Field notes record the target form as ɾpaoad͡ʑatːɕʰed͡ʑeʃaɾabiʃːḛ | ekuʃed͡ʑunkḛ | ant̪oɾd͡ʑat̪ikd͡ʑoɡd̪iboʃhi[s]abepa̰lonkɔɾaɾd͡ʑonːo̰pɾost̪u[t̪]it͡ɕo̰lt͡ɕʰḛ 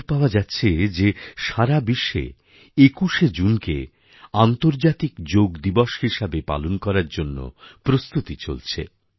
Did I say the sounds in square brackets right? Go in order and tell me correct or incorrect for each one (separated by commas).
incorrect, correct